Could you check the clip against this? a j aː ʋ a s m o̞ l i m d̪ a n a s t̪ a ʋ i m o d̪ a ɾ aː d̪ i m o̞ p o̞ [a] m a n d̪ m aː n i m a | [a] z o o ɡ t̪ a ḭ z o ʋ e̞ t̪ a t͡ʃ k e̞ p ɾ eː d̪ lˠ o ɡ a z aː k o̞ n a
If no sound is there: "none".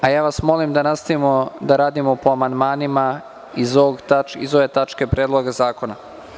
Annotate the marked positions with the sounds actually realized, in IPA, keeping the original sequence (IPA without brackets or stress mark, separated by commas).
a, i